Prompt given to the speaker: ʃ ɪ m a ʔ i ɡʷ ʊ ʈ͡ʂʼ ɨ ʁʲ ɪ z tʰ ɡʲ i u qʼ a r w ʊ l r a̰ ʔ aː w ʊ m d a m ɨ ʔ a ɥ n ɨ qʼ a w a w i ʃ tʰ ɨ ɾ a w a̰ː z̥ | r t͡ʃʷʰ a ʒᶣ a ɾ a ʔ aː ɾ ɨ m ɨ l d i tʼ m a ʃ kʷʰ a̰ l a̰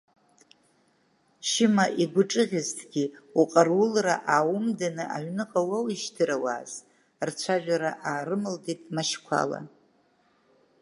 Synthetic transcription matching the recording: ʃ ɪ m a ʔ i ɡʷ ʊ ʈ͡ʂʼ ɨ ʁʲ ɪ z tʰ ɡʲ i u qʼ a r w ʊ l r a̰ ʔ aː w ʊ m d a n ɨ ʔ a ɥ n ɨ qʼ a w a w i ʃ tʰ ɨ ɾ a w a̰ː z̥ | r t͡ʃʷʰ a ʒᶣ a ɾ a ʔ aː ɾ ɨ m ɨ l d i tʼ m a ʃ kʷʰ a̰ l a̰